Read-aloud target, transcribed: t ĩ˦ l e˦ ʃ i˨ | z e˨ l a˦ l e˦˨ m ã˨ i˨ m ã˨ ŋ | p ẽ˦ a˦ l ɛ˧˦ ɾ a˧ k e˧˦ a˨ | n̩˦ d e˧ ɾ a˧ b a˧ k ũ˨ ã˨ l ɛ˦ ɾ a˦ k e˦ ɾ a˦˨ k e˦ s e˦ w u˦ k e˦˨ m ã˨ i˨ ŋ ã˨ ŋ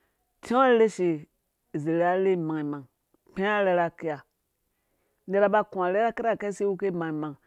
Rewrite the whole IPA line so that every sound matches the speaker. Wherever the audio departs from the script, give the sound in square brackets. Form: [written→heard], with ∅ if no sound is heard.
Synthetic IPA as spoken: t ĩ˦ l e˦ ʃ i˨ | z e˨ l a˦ l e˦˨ m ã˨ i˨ m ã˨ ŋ | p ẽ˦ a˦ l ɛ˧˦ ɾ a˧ k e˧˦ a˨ | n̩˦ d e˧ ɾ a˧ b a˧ k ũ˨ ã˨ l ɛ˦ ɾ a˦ k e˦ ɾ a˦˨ k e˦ s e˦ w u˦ k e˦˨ m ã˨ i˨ [ŋ→m] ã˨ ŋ